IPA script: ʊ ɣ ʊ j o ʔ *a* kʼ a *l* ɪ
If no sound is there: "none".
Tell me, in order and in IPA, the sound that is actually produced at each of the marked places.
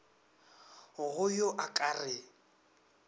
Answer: a, r

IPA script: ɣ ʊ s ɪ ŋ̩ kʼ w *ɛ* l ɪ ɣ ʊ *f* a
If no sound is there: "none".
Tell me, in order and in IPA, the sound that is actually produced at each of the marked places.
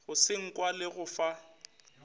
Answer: a, f

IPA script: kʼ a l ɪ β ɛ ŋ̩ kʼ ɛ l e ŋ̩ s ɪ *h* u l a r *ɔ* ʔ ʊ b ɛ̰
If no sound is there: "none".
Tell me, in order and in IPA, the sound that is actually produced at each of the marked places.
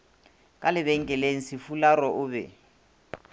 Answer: f, ɔ

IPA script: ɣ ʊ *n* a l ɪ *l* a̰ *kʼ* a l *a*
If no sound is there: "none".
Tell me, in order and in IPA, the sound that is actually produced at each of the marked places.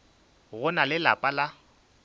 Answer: n, l, pʼ, a

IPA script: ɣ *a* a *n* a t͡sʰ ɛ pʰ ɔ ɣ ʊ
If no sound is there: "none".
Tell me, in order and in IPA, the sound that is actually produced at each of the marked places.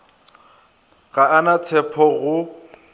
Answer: a, n

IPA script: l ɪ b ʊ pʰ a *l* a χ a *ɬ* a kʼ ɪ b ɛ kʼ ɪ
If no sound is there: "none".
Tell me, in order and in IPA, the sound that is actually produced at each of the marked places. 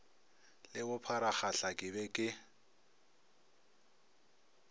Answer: ɾ, ɬ

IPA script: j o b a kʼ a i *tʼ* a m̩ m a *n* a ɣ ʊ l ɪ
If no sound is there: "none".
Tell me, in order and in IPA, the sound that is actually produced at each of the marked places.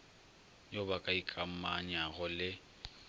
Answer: kʼ, ɲ

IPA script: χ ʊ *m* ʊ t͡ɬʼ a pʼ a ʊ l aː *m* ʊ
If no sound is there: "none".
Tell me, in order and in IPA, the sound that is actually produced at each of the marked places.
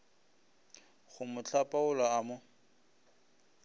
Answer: m, m

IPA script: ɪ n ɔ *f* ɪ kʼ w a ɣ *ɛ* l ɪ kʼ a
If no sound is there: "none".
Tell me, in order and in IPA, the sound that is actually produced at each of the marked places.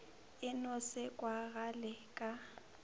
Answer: s, a

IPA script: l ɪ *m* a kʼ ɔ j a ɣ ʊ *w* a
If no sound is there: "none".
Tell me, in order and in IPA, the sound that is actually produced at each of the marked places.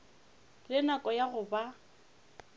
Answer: n, b

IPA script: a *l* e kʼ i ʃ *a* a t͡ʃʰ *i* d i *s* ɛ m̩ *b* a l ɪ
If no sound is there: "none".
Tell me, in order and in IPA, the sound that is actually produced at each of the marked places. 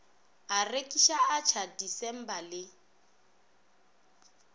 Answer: r, a, a, s, b

